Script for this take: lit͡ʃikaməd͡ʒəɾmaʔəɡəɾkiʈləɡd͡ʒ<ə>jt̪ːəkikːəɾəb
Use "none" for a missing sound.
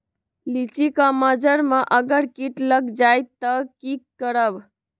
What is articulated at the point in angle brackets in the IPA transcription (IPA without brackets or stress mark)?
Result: a